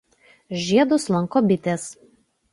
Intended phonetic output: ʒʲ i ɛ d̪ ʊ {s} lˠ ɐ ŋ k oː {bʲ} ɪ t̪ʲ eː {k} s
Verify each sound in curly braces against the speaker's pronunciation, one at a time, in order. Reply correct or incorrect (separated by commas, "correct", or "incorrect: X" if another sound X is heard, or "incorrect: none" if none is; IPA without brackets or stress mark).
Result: correct, correct, incorrect: none